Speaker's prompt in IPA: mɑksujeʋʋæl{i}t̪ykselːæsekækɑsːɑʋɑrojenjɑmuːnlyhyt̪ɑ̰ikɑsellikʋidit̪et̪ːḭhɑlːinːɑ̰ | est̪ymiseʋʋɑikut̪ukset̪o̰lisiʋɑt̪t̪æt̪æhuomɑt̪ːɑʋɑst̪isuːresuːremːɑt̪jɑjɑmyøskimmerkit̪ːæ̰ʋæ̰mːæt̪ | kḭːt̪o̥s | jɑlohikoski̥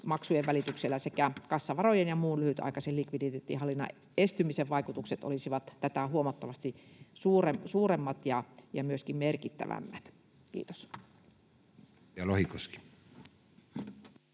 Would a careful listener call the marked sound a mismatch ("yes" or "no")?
no